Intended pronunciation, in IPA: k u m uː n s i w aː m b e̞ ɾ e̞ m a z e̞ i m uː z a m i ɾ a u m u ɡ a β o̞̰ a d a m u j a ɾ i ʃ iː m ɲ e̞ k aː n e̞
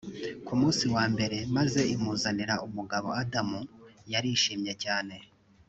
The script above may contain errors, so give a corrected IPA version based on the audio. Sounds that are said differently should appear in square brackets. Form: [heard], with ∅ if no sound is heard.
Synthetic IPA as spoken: k u m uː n s i w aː m b e̞ ɾ e̞ m a z e̞ i m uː z a [n] i ɾ a u m u ɡ a β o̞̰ a d a m u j a ɾ i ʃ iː m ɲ e̞ [c] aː n e̞